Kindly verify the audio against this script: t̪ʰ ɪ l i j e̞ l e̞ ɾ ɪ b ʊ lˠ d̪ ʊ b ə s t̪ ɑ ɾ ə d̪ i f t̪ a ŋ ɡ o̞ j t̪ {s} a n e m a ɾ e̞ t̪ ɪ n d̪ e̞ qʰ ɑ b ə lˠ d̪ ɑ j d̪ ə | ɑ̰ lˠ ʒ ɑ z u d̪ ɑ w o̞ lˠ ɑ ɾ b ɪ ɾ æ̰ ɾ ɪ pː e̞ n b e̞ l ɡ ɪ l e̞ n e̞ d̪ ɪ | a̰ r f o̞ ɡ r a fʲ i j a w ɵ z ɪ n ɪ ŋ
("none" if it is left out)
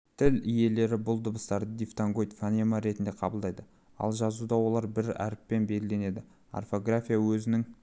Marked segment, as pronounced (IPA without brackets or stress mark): f